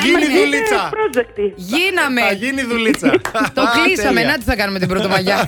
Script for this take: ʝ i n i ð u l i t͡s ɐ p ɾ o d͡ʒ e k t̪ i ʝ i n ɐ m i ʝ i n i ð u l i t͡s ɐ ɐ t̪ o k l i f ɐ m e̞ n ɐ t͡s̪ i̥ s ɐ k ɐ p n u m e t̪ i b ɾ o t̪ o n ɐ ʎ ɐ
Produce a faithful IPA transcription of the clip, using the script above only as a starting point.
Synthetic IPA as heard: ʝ i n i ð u l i t͡s ɐ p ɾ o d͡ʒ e k t̪ i ʝ i n ɐ m e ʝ i n i ð u l i t͡s ɐ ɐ t̪ o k l i s ɐ m e̞ n ɐ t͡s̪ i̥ θ ɐ k ɐ n u m e t̪ i b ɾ o t̪ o m ɐ ʝ ɐ